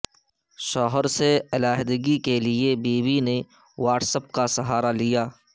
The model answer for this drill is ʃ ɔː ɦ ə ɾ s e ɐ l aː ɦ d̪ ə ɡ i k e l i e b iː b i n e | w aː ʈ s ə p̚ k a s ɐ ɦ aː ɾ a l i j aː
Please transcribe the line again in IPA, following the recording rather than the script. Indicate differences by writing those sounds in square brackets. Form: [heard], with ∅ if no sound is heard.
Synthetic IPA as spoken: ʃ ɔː ɦ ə ɾ s e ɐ l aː ɦ d̪ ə ɡ i k e l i e b iː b i n e | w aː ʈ s ə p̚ k a s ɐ ɦ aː ɾ a l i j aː